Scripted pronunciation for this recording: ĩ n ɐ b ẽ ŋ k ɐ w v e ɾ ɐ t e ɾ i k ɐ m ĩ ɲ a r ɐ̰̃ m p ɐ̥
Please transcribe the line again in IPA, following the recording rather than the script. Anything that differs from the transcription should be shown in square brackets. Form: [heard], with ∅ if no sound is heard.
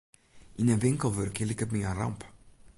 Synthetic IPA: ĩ n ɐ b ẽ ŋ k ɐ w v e ɾ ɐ [k] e [l] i k ɐ m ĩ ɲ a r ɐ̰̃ m p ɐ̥